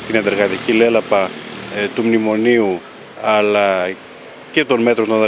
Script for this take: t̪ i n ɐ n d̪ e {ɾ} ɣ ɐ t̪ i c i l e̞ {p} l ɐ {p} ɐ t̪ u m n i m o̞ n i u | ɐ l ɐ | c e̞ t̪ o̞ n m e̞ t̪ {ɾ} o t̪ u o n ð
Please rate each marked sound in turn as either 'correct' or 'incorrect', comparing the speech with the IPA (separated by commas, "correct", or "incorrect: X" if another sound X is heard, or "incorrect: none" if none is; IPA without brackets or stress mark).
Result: correct, incorrect: none, correct, correct